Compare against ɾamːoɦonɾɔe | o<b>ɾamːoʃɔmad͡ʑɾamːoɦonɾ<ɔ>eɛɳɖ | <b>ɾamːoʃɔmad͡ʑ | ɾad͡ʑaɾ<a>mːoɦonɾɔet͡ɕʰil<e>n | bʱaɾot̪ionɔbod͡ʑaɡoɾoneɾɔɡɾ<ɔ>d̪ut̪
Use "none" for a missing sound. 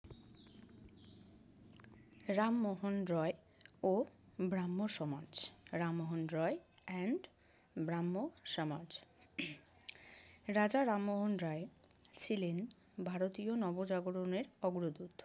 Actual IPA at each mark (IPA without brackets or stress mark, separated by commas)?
b, ɔ, b, a, e, o